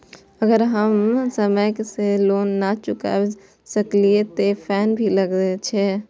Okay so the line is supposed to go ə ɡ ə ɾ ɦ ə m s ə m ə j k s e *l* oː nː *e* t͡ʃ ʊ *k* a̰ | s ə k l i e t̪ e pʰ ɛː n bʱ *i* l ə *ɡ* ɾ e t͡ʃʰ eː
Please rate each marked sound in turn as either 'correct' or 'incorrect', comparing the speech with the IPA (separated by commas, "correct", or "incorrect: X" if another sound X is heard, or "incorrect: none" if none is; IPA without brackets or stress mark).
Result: correct, incorrect: a, correct, correct, correct